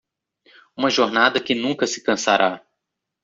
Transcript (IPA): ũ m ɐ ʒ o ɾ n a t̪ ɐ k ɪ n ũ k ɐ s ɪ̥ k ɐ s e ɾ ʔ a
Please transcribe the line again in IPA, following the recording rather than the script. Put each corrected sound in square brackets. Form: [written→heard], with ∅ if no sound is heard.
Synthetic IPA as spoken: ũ m ɐ ʒ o ɾ n a [t̪→d̪] ɐ k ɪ n ũ k ɐ s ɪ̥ k [ɐ→ɐ̃] s [e→a] ɾ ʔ a